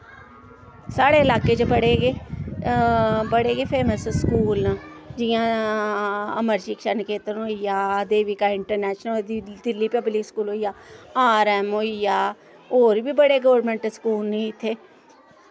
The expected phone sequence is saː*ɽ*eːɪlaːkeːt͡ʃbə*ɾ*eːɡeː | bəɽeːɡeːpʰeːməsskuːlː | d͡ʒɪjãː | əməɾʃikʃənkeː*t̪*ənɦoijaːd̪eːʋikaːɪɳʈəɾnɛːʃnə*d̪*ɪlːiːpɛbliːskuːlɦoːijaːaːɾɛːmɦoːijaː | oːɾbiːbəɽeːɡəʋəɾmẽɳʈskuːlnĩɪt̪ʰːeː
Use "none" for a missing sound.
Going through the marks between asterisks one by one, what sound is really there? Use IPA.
ɽ, ɽ, t̪, d̪

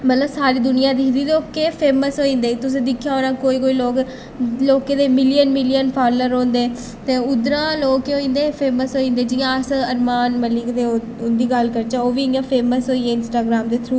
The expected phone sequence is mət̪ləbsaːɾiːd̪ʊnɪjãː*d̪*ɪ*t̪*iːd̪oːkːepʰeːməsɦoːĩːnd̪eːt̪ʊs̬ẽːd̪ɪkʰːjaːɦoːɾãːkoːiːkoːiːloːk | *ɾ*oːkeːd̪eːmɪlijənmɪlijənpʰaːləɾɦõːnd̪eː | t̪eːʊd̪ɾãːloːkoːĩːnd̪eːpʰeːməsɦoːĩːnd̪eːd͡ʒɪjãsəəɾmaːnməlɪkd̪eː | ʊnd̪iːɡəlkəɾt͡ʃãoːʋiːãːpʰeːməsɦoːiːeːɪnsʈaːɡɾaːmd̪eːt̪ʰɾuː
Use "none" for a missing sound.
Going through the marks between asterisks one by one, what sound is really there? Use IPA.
d̪, d̪, l

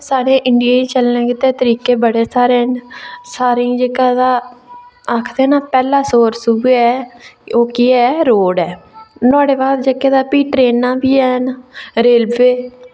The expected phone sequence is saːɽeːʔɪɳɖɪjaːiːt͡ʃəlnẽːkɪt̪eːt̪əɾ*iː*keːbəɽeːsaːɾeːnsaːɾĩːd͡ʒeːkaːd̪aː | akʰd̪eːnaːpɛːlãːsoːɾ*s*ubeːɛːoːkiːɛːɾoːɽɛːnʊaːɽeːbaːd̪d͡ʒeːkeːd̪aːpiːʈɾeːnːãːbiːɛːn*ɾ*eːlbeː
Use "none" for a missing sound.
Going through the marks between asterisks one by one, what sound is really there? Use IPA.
iː, s, ɾ

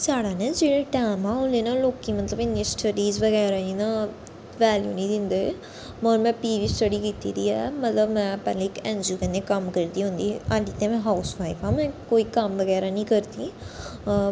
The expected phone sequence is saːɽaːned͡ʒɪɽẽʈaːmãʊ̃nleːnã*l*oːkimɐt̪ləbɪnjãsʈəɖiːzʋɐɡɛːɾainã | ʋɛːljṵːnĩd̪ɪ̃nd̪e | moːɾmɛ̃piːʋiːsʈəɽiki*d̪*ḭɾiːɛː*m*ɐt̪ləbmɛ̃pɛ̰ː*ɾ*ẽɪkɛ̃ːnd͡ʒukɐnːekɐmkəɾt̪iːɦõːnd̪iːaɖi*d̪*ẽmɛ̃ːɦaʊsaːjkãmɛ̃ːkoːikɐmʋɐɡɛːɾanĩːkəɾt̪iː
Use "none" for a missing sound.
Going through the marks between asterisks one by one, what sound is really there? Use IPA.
l, t̪, m, l, t̪

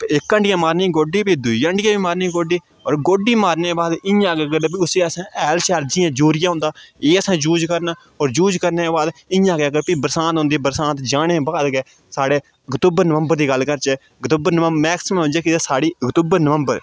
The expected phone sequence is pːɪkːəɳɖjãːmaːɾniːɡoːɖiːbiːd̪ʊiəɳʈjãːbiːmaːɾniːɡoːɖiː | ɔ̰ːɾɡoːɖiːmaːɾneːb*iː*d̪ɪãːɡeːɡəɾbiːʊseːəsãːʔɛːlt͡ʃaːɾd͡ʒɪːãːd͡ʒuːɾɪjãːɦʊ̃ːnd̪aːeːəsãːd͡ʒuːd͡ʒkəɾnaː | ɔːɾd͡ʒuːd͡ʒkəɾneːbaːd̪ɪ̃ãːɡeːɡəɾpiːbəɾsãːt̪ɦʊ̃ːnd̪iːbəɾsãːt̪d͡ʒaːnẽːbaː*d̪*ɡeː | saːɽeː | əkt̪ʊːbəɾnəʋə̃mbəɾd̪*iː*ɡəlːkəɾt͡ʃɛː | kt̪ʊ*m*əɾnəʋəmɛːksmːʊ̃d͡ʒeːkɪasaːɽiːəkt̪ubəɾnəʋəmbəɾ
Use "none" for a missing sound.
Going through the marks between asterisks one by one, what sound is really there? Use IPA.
aː, d̪, iː, b

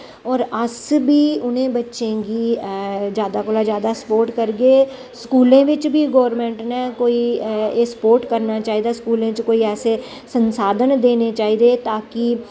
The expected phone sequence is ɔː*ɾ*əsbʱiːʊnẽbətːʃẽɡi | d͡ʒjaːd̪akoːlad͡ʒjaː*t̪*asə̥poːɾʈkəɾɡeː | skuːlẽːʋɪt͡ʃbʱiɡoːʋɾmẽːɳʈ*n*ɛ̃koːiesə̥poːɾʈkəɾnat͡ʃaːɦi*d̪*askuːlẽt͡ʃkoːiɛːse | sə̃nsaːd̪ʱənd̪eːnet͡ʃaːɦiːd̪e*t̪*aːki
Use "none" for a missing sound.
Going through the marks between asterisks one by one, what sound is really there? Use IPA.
ɾ, d̪, n, d̪, t̪

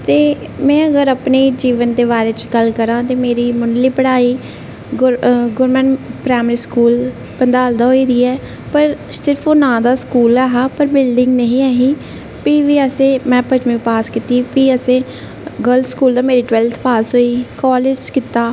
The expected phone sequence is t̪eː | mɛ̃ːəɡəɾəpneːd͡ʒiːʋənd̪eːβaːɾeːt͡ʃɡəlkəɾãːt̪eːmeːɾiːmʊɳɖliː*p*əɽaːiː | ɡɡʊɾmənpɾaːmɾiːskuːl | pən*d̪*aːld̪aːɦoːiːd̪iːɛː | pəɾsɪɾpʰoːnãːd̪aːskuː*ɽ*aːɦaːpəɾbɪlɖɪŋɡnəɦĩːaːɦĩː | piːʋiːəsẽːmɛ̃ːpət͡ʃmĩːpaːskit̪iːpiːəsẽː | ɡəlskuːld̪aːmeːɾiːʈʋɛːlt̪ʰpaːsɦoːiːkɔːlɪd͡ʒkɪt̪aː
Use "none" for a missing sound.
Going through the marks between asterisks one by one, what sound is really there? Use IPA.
p, d̪, l

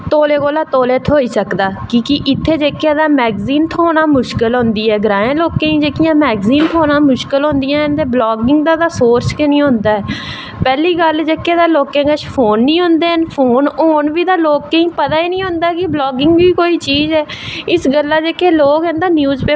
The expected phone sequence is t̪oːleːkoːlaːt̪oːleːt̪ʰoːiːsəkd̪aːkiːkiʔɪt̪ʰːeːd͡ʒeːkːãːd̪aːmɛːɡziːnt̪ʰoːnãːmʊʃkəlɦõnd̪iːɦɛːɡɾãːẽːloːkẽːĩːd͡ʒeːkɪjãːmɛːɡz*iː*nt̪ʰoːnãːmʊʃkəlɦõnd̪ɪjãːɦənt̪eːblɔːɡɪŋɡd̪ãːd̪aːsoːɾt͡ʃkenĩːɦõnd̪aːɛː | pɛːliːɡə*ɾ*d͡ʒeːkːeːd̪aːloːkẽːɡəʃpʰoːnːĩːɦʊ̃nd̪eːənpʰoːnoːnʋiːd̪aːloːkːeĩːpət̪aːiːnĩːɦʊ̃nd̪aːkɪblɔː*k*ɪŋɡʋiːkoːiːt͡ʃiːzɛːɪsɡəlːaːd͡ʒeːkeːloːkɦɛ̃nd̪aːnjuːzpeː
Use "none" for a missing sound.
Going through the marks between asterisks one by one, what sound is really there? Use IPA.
iː, l, ɡ

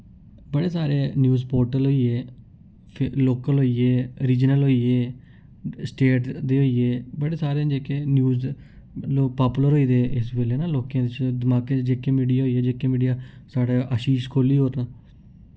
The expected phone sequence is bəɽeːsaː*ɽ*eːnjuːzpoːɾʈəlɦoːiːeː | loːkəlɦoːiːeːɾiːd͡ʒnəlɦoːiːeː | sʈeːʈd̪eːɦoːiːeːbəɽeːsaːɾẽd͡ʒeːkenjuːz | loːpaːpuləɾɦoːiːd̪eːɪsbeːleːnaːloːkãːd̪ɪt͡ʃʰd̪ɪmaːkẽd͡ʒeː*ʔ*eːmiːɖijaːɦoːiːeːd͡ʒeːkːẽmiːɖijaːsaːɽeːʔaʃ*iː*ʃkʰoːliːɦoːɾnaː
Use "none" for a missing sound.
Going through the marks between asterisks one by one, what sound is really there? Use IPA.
ɾ, k, iː

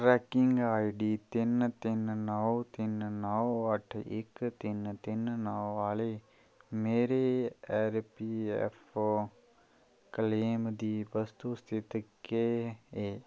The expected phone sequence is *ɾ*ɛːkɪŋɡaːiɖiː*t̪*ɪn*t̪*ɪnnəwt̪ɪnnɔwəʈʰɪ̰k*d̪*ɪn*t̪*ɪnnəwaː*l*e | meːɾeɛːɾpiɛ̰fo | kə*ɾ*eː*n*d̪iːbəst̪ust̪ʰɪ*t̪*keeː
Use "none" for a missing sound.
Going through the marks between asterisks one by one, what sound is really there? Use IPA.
ɾ, t̪, t̪, t̪, t̪, l, l, m, t̪

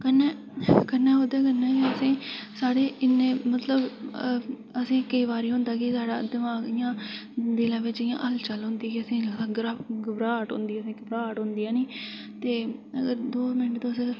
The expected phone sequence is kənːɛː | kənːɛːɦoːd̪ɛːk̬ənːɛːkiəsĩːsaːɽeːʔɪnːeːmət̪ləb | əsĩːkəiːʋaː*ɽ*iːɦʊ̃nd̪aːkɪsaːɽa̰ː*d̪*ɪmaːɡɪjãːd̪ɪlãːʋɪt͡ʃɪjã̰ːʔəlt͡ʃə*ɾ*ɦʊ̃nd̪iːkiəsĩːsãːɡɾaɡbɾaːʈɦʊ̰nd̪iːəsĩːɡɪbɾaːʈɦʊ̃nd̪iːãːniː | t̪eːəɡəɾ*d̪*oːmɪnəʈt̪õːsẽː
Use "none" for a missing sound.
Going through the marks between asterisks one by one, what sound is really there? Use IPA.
ɾ, d̪, l, d̪

